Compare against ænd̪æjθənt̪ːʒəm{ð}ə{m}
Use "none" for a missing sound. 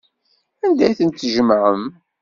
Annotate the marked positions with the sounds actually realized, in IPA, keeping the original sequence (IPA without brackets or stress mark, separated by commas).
ʕ, m